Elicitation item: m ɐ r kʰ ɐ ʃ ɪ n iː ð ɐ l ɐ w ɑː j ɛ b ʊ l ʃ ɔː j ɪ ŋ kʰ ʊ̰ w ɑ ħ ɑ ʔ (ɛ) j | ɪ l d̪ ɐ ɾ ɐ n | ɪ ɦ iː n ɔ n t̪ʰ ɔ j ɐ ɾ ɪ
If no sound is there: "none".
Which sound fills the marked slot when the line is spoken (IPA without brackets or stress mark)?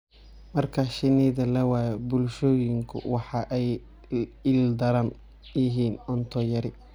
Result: ɛ